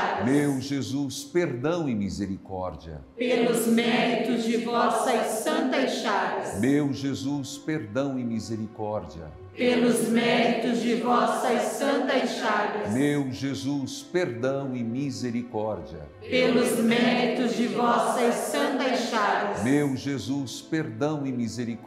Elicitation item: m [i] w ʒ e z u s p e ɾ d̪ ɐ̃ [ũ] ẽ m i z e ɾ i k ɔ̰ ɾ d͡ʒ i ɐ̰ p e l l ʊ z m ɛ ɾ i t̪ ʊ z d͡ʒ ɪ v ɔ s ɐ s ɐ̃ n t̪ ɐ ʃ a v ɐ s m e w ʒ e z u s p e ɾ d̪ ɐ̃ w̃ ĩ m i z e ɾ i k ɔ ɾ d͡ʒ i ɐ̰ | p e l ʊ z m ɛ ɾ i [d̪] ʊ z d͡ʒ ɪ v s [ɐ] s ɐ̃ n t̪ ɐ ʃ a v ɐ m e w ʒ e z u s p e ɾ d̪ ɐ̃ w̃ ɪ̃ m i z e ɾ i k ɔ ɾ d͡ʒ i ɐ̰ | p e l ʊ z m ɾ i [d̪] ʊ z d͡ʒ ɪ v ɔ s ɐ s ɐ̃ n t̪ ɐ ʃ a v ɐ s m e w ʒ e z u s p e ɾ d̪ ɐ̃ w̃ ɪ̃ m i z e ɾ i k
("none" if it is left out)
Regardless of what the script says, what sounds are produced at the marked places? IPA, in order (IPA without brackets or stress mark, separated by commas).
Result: e, w̃, t̪, ɐ, t̪